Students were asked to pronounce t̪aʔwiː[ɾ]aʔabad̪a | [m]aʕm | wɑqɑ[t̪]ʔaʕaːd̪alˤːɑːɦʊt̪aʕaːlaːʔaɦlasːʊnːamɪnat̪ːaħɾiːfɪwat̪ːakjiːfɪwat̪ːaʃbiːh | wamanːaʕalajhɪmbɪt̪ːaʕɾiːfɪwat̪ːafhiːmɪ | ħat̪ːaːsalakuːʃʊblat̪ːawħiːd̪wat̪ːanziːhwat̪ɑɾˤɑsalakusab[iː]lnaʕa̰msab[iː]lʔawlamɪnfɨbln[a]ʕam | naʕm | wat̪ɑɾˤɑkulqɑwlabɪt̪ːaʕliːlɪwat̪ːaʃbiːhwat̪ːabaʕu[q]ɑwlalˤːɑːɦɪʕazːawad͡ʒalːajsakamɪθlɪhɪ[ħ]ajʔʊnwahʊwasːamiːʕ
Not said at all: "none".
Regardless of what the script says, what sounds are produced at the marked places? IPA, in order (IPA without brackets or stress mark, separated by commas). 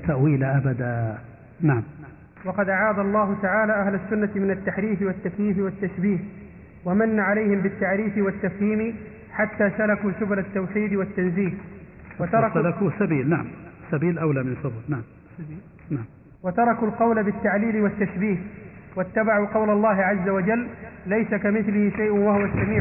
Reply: l, n, d̪, iː, iː, a, q, ʃ